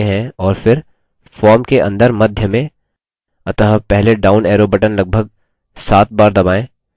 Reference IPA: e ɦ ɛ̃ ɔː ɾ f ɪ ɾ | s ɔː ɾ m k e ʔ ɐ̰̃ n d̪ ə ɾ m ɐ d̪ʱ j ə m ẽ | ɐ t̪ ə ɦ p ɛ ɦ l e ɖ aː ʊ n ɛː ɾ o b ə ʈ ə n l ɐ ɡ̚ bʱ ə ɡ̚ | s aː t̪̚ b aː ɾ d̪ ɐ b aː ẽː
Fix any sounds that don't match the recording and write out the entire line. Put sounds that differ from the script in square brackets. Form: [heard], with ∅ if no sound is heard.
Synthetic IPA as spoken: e ɦ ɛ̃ ɔː ɾ f ɪ ɾ | [f] ɔː ɾ m k e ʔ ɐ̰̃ n d̪ ə ɾ m ɐ d̪ʱ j ə m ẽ | ɐ t̪ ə ɦ p ɛ ɦ l e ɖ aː ʊ n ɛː ɾ o b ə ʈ ə n l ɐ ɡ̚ bʱ ə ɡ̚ | s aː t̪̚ b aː ɾ d̪ ɐ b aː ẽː